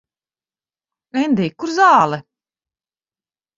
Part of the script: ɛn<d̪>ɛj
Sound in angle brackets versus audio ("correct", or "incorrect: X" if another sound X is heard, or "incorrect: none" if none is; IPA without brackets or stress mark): correct